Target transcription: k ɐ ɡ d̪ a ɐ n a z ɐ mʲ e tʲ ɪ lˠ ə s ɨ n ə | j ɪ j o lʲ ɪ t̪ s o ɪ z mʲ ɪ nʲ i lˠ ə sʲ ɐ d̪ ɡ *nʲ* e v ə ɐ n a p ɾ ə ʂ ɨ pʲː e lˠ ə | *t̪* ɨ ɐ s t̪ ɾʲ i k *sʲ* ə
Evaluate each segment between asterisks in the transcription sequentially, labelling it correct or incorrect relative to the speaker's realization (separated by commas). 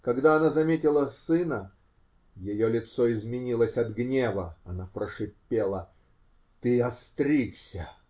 correct, correct, correct